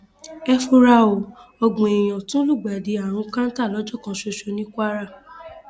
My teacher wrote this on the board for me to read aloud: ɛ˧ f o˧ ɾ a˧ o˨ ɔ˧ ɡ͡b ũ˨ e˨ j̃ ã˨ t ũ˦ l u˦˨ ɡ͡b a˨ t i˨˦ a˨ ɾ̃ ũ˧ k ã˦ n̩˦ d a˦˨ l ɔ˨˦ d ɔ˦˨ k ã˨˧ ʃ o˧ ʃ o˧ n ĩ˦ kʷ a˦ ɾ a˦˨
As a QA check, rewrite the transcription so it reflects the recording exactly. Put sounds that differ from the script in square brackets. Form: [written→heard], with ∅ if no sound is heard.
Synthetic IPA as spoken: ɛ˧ f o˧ ɾ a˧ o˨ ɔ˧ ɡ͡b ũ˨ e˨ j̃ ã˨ t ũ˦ l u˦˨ ɡ͡b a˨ [t→d] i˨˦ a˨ ɾ̃ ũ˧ k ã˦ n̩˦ [d→t] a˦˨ l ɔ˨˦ [d→d͡ʒ] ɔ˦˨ k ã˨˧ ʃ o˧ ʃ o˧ n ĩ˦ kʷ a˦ ɾ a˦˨